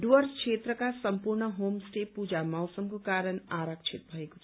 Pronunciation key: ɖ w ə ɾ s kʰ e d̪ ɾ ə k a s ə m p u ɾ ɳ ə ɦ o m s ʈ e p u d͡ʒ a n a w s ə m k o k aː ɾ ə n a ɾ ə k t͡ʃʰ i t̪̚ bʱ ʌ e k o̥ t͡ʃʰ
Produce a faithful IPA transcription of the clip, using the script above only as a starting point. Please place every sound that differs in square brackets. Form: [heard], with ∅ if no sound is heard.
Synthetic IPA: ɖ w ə ɾ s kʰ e [t̪] ɾ ə k a s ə m p u ɾ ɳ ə ɦ o m s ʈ e p u d͡ʒ a [m] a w s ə m k o k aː ɾ ə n a ɾ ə k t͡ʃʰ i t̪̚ bʱ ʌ e k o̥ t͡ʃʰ